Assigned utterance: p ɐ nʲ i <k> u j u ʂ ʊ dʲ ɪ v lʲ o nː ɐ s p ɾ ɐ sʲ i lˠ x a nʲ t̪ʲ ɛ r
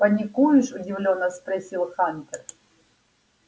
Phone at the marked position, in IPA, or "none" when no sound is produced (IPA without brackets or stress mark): k